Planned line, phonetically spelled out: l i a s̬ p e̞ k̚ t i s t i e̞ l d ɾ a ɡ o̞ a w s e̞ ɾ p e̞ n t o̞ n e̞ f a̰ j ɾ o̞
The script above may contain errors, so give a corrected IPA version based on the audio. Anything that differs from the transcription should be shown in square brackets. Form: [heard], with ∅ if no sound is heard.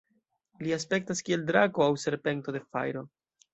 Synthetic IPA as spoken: l i a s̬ p e̞ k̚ t [a] s [k] i e̞ l d ɾ a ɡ o̞ a w s e̞ ɾ p e̞ n t o̞ [d] e̞ f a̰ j ɾ o̞